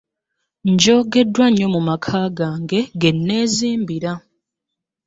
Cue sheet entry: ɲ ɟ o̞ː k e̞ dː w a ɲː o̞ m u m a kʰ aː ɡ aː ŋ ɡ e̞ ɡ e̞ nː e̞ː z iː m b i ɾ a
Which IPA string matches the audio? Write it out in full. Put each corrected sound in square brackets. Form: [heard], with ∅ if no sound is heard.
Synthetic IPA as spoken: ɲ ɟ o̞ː [ɡ] e̞ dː w a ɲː o̞ m u m a kʰ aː ɡ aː ŋ ɡ e̞ ɡ e̞ nː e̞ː z iː m b i ɾ a

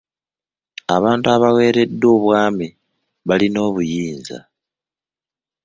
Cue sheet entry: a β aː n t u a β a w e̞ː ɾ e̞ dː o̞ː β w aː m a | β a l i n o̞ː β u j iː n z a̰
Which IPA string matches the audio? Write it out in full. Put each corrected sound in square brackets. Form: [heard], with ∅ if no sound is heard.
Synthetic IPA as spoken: a β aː n t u a β a w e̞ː ɾ e̞ dː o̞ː β w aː m [i] | β a l i n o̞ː β u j iː n z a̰

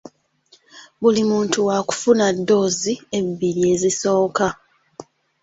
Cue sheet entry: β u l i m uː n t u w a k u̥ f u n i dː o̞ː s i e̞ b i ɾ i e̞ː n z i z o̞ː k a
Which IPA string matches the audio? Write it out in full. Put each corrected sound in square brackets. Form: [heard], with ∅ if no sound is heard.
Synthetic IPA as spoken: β u l i m uː n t u w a k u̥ f u n [a] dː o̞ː [z] i e̞ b i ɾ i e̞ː [∅] z i [s] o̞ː k a

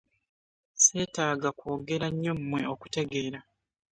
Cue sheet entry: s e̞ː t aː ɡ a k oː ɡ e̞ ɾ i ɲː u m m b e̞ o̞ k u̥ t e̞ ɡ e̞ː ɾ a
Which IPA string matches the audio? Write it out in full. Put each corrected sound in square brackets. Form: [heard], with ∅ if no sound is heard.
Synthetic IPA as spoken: s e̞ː t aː ɡ a k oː ɡ e̞ ɾ [a] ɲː [o] m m [w] e̞ o̞ k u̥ t e̞ ɡ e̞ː ɾ a

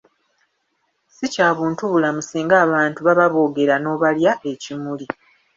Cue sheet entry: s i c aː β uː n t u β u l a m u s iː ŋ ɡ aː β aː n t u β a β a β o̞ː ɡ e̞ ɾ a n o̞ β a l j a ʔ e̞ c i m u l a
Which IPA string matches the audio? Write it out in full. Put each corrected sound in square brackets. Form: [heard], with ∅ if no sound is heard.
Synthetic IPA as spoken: s i c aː β uː n t u β u l a m u s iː ŋ ɡ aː β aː n t u β a β a β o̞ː ɡ e̞ ɾ a n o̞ β a l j a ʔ e̞ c i m u l [i]

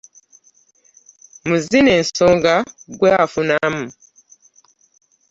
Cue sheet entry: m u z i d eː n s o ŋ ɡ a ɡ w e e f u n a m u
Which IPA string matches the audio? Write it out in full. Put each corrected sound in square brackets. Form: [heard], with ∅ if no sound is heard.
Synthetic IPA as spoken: m u z i [n] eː n s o ŋ ɡ a ɡ w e [a] f u n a m u

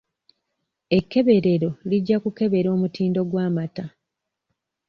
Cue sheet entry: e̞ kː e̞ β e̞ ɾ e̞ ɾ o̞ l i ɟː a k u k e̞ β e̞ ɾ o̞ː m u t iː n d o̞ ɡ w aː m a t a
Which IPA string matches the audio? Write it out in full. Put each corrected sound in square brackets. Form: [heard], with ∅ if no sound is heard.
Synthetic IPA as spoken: e̞ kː e̞ β e̞ ɾ e̞ ɾ o̞ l i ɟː a k u k e̞ β e̞ ɾ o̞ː m u t iː n d o̞ ɡ w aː m a t a

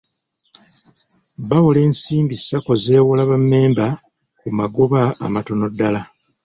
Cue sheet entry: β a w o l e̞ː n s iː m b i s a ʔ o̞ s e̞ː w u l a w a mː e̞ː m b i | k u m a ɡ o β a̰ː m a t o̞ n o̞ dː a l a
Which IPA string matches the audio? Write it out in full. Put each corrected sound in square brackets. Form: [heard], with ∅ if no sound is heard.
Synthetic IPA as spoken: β a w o l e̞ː n s iː m b i s a [k] o̞ [z] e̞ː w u l a [β] a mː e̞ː m b [a] | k u m a ɡ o β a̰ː m a t o̞ n o̞ dː a l a

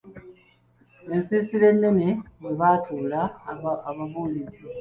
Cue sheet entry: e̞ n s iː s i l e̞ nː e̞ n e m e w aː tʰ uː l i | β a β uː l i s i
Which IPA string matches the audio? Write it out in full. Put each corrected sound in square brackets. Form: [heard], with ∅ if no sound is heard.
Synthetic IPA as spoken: e̞ n s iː s i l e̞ nː e̞ n e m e [β] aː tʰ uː l [a] | β a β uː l i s i

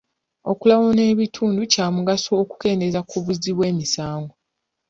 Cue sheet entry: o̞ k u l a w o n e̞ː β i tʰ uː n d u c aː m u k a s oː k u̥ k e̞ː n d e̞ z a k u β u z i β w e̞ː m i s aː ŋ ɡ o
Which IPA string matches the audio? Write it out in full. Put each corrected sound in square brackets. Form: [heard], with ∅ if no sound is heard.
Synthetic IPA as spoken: o̞ k u l a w o n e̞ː β i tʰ uː n d u c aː m u [ɡ] a s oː k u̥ k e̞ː n d e̞ z a k u β u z i β w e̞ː m i s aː ŋ ɡ o

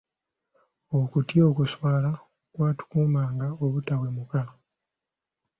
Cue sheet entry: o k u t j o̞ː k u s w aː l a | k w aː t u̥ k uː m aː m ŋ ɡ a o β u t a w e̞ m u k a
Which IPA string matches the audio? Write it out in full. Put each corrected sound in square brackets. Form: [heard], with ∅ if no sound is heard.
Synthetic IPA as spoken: o k u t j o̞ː k u s w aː l a | k w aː t u̥ k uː m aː [∅] ŋ ɡ a o β u t a w e̞ m u k a

